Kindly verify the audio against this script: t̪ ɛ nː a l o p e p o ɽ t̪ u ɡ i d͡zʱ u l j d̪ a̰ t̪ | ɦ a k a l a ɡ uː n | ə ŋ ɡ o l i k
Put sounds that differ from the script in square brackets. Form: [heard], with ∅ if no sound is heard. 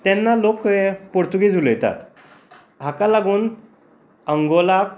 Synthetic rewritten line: t̪ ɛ nː a l o [k] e p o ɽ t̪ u ɡ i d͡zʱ u l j [t̪] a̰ t̪ | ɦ a k a l a ɡ uː n | ə ŋ ɡ o l [a] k

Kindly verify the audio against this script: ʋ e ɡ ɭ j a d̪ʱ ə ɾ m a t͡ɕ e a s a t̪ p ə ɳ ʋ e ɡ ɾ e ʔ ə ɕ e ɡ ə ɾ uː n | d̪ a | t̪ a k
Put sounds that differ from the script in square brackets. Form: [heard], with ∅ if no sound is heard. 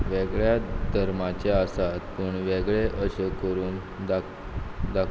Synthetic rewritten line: ʋ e ɡ ɭ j a d̪ʱ ə ɾ m a t͡ɕ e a s a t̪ p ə ɳ ʋ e ɡ [ɭ] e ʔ ə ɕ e [k] ə ɾ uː n | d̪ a | [d̪] a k

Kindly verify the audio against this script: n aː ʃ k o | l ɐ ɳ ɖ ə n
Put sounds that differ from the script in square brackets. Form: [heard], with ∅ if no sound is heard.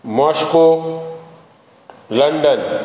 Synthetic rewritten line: [m] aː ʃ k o | l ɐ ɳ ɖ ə n

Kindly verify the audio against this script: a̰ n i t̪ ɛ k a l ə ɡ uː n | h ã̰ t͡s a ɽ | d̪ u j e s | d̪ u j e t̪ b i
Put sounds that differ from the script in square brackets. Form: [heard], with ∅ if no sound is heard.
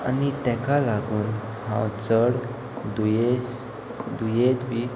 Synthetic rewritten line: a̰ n i t̪ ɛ k a l [a] ɡ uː n | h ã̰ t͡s [ə] ɽ | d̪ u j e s | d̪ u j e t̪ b i

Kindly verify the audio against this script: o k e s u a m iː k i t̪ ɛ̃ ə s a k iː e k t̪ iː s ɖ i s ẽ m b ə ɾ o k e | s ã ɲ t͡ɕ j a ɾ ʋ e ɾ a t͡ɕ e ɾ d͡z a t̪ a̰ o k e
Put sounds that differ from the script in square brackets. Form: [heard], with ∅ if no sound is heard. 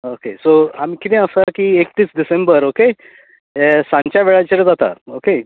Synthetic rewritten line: o k e s [o] a m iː k i t̪ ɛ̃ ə s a k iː e k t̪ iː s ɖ i s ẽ m b ə ɾ o k e | s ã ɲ t͡ɕ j a [∅] ʋ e [ɭ] a t͡ɕ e ɾ d͡z a t̪ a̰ o k e

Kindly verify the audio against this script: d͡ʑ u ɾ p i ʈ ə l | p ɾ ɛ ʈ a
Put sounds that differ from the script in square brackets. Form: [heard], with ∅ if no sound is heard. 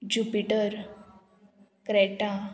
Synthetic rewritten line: d͡ʑ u [∅] p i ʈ ə [ɾ] | [k] ɾ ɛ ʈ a

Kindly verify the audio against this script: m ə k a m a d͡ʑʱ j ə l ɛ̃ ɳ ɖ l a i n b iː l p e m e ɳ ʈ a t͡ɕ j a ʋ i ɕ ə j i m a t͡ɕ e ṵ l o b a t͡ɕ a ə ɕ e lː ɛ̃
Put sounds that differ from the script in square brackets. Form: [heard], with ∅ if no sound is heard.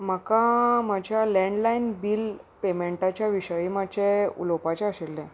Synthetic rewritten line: m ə k a m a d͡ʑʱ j [a] l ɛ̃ ɳ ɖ l a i n b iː l p e m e ɳ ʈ a t͡ɕ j a ʋ i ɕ ə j i m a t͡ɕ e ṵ l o [p] a t͡ɕ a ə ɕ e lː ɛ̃

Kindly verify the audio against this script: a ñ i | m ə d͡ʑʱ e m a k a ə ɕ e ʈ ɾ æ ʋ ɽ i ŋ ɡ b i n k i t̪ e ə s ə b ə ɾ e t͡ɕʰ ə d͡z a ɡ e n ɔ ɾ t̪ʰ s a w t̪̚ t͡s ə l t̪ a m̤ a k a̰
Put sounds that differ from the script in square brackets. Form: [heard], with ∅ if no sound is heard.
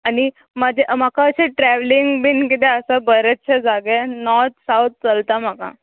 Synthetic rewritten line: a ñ i | m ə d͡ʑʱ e m a k a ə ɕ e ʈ ɾ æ ʋ [l] i ŋ ɡ b i n k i t̪ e ə s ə b ə ɾ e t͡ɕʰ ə d͡z a ɡ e n ɔ ɾ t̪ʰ s a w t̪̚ t͡s ə l t̪ a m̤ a k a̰

